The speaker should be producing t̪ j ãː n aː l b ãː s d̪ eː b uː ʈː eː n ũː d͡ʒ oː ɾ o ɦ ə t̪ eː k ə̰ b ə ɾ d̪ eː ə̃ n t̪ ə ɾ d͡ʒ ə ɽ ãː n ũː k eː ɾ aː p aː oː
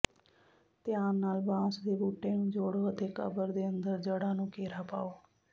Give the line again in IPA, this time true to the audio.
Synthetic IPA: t̪ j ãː n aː l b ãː s d̪ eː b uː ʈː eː n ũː d͡ʒ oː ɽ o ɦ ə t̪ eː k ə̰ b ə ɾ d̪ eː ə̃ n d̪ ə ɾ d͡ʒ ə ɽ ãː n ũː k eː ɾ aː p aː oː